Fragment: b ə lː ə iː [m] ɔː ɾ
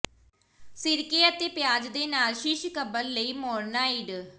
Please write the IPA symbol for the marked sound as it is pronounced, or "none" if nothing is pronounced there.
m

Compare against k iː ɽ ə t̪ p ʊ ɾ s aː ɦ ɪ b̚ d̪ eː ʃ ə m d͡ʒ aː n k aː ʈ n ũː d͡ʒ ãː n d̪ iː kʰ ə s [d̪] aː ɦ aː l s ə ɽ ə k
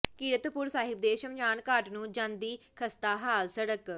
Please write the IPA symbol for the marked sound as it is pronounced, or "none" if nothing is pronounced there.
t̪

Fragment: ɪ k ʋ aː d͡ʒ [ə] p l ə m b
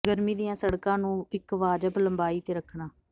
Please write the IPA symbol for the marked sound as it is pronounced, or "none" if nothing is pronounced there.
ə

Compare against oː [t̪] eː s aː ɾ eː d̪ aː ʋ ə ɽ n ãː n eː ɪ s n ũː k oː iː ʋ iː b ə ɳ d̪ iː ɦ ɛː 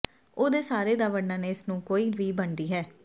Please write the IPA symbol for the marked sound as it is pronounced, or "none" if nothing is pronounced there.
d̪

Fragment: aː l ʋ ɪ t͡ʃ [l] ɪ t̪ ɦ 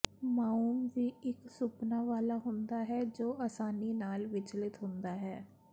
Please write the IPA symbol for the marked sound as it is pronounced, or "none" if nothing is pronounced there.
l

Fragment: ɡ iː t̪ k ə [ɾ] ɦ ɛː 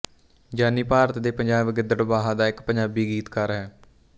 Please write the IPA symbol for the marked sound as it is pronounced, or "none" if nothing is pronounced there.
ɾ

